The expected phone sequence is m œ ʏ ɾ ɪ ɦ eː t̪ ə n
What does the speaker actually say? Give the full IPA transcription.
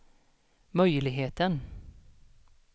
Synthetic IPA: m œ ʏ l ɪ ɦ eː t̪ ə n

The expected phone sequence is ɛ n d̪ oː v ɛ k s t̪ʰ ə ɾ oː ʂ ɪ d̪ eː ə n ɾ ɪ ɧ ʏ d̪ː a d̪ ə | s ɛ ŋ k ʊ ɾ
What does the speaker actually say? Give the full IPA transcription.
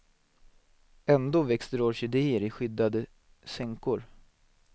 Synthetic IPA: ɛ n d̪ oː v ɛ k s t̪ ə ɾ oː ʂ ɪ d̪ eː ə ɾ ɪ ɧ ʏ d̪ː a d̪ ə | s ɛ ŋ k ʊ ɾ

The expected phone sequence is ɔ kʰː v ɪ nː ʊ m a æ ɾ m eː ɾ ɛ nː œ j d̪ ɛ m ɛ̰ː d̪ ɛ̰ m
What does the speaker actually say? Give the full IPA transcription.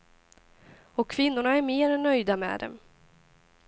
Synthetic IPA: ɔ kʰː v ɪ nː ʊ ɳ a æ ɾ m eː ɾ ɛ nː œ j d̪ a m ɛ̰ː d̪ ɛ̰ m

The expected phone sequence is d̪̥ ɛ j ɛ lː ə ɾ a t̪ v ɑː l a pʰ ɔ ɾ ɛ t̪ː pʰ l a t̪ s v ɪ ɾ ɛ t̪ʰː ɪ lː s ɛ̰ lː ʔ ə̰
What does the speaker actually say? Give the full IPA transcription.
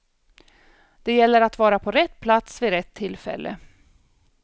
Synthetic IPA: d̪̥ ɛ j ɛ lː ə ɾ a t̪ v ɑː ɾ a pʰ ɔ ɾ ɛ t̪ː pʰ l a t̪ s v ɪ ɾ ɛ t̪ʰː ɪ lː f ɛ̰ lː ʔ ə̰

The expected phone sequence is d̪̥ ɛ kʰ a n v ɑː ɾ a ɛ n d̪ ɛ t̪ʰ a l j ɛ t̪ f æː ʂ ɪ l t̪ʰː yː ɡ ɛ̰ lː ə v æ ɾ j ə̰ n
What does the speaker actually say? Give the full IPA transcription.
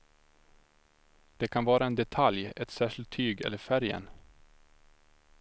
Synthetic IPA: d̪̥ ɛ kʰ a n v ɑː ɾ a ɛ n d̪ ɛ t̪ʰ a l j ɛ t̪ s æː ʂ ɪ l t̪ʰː yː ɡ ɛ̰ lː ə f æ ɾ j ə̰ n

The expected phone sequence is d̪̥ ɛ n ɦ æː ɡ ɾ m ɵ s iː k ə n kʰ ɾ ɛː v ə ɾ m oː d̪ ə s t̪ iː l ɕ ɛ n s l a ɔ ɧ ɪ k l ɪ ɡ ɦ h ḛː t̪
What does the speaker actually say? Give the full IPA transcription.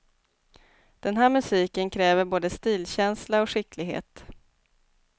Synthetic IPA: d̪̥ ɛ n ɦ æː ɾ m ɵ s iː k ə n kʰ ɾ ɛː v ə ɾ b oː d̪ ə s t̪ iː l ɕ ɛ n s l a ɔ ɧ ɪ k l ɪ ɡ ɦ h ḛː t̪

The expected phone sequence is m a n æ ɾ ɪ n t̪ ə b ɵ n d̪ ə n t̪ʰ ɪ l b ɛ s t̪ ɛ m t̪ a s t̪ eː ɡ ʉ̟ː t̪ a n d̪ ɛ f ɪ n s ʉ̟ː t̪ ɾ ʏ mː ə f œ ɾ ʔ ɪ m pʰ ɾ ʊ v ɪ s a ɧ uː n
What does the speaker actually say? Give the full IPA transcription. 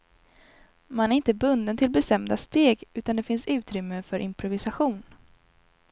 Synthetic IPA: m a n æ ɾ ɪ n t̪ ə b ɵ n d̪ ə n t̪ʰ ɪ l b ɛ s t̪ ɛ m d̪ a s t̪ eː ɡ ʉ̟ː t̪ a n d̪ ɛ f ɪ n s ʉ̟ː t̪ ɾ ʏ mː ə f œ ɾ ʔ ɪ m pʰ ɾ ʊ v ɪ s a ɧ uː n

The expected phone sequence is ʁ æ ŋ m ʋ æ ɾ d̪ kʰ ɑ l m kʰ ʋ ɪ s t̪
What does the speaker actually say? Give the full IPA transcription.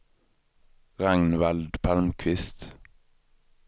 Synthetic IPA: ʁ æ ŋ n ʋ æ l d̪ pʰ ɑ l m kʰ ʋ ɪ s t̪

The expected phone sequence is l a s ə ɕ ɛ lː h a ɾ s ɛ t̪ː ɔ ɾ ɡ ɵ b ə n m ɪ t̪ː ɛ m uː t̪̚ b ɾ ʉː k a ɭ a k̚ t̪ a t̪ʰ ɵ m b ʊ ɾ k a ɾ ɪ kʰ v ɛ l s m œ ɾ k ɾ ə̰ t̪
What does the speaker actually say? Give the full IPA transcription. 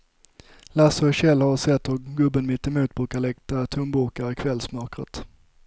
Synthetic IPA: l a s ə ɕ ɛ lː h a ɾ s ɛ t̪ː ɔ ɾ ɡ ɵ b ə n m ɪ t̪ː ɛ m uː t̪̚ b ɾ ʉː k a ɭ ɛ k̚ t̪ a t̪ʰ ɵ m b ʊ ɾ k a ɾ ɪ kʰ v ɛ l s m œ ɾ k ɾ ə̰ t̪

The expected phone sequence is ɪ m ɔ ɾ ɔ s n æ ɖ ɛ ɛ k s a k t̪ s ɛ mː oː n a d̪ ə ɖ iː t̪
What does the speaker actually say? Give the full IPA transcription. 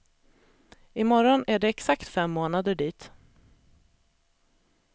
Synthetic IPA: ɪ m ɔ ɾ ɔ n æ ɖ ɛ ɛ k s a k t̪ f ɛ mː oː n a d̪ ə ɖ iː t̪

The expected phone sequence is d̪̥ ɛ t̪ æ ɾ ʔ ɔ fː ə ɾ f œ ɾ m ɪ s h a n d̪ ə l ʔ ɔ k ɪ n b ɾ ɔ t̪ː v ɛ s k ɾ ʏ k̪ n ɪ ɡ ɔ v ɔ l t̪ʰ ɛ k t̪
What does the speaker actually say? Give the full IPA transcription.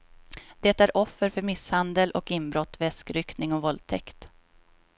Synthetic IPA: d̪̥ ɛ t̪ æ ɾ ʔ ɔ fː ə ɾ f œ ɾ m ɪ s h a n d̪ ə l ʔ ɔ k ɪ n b ɾ ɔ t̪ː v ɛ s k ɾ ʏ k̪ n ɪ ŋ ɔ v ɔ l t̪ʰ ɛ k t̪

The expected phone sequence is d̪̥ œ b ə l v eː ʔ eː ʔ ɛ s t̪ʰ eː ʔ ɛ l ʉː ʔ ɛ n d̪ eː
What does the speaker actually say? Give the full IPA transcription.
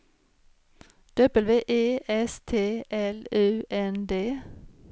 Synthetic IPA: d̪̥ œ b ə l ʋ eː ʔ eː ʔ ɛ s t̪ʰ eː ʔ ɛ l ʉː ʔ ɛ n d̪ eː

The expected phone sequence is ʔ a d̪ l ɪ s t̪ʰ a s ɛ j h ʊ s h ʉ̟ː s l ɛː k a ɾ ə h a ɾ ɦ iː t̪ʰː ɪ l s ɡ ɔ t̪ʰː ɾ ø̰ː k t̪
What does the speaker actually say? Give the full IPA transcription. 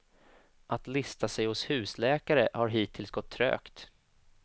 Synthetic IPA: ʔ a t̪ l ɪ s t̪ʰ a s ɛ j h ʊ s h ʉ̟ː s l ɛː k a ɾ ə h a ɾ ɦ iː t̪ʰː ɪ l s ɡ ɔ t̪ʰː ɾ ø̰ː k t̪

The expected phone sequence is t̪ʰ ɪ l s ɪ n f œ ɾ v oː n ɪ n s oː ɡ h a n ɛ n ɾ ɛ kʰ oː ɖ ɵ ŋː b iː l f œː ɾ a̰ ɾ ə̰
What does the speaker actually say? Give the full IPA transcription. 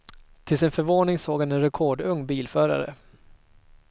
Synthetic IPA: t̪ʰ ɪ l s ɪ n f œ ɾ v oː n ɪ ŋ s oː ɡ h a n ɛ n ɾ ɛ kʰ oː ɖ ɵ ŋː b iː l f œː ɾ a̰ ɾ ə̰

